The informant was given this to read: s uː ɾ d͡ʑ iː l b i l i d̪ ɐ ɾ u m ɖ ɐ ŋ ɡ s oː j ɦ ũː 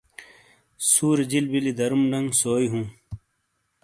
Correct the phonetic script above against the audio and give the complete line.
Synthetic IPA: s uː ɾ d͡ʑ i l b i l i d̪ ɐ ɾ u m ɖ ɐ ŋ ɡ s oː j ɦ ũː